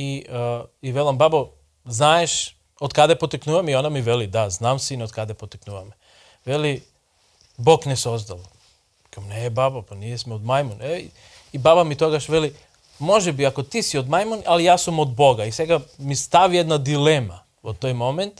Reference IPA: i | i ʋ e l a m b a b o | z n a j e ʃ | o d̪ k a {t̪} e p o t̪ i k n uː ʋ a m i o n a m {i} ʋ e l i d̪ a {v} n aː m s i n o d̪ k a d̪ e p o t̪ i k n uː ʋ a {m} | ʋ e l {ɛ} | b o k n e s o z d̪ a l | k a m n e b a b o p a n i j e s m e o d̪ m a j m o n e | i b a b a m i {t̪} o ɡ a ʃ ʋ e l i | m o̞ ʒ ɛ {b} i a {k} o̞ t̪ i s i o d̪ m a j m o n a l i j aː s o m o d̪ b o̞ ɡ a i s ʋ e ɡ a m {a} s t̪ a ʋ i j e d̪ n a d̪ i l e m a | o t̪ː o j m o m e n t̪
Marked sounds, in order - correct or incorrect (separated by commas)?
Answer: incorrect, correct, incorrect, correct, incorrect, correct, correct, correct, incorrect